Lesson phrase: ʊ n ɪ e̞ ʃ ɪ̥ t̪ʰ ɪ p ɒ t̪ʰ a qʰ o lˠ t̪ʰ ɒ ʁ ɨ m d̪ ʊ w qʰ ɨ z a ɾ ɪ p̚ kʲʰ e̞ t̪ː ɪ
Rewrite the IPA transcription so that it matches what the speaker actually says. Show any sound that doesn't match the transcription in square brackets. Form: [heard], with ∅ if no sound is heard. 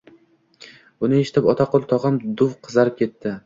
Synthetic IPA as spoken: ʊ n ɪ e̞ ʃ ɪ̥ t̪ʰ ɪ p ɒ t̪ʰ a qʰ o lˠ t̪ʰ ɒ ʁ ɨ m d̪ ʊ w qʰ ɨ z a ɾ ɪ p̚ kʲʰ e̞ t̪ː ɪ